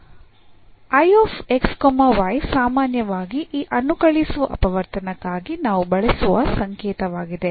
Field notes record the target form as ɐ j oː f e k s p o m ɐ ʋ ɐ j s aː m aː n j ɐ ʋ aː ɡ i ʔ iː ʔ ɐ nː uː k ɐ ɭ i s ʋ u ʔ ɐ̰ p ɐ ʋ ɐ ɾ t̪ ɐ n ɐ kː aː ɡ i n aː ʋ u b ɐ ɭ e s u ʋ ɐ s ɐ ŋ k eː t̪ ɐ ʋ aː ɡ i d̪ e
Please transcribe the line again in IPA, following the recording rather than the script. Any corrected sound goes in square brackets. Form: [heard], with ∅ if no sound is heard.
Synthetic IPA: ɐ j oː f e k s [k] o m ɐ ʋ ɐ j s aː m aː n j ɐ ʋ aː ɡ i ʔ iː ʔ ɐ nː [u] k ɐ ɭ i s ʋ u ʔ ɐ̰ p ɐ ʋ ɐ ɾ t̪ ɐ n ɐ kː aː ɡ i n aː ʋ u b ɐ ɭ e s u ʋ ɐ s ɐ ŋ k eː t̪ ɐ ʋ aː ɡ i d̪ e